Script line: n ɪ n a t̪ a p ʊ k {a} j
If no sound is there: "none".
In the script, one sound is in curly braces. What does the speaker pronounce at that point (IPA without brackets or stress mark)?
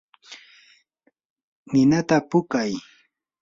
a